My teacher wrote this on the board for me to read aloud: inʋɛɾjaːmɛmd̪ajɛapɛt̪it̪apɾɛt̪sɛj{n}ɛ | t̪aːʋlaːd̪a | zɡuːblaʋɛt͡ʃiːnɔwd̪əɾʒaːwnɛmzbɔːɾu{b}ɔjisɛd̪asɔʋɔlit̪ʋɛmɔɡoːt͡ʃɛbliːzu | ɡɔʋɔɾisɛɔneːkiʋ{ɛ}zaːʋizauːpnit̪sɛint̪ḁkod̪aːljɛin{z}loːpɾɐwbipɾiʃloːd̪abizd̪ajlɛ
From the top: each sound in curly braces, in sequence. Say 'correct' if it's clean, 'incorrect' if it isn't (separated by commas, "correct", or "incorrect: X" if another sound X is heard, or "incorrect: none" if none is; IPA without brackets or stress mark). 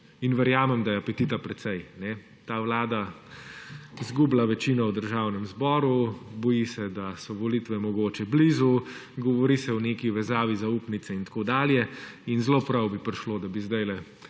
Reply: correct, correct, correct, correct